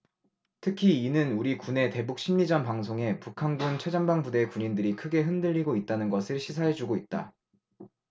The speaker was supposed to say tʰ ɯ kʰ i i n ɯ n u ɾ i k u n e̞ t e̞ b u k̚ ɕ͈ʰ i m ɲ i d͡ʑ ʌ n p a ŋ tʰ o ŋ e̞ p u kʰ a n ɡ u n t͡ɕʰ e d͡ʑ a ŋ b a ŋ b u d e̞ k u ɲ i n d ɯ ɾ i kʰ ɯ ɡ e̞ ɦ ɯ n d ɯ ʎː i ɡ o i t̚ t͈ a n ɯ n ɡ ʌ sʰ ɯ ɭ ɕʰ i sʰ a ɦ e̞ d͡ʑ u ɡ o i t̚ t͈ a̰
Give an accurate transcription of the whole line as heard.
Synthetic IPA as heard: tʰ ɯ kʰ i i n ɯ n u ɾ i k u n e̞ t e̞ b u k̚ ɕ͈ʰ i m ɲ i d͡ʑ ʌ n p a ŋ sʰ o ŋ e̞ p u kʰ a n ɡ u n t͡ɕʰ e d͡ʑ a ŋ b a ŋ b u d e̞ k u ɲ i n d ɯ ɾ i kʰ ɯ ɡ e̞ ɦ ɯ n d ɯ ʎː i ɡ o i t̚ t͈ a n ɯ n ɡ ʌ sʰ ɯ ɭ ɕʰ i sʰ a ɦ e̞ d͡ʑ u ɡ o i t̚ t͈ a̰